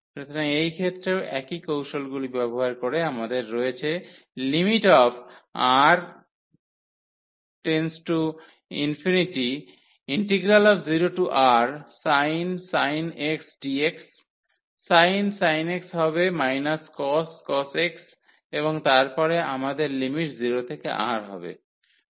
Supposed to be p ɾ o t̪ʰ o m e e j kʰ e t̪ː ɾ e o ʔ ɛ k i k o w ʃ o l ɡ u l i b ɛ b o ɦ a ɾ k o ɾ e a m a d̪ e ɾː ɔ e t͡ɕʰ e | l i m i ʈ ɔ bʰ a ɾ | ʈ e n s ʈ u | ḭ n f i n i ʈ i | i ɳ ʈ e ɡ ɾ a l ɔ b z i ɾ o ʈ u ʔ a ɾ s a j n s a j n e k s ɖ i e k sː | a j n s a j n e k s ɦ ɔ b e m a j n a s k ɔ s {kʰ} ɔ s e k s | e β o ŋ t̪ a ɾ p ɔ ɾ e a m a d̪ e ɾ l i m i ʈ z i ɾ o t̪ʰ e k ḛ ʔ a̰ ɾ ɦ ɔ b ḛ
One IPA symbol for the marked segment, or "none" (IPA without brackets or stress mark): k